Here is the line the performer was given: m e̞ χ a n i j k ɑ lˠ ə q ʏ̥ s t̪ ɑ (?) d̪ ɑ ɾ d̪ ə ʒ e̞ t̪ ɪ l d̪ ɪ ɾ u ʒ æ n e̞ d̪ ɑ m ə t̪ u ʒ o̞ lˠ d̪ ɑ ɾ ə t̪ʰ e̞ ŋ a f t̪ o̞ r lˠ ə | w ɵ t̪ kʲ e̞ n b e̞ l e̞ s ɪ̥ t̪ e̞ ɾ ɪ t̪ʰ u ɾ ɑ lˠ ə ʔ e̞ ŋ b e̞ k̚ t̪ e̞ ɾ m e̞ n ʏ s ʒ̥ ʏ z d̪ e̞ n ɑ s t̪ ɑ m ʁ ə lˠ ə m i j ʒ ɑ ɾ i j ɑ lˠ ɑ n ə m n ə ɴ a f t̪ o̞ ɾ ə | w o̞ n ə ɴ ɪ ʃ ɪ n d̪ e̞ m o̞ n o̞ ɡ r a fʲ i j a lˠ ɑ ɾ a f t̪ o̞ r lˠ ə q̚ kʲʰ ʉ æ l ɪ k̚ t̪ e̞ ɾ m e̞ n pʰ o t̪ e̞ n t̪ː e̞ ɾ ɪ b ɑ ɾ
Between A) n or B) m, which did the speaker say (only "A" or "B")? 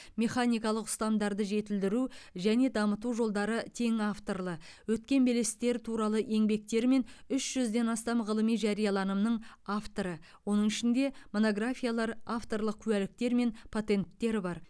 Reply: B